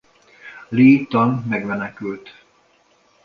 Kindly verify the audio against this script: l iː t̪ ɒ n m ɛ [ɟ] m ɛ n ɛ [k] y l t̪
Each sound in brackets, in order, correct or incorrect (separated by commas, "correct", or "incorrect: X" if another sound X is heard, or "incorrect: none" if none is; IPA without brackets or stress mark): incorrect: ɡ, correct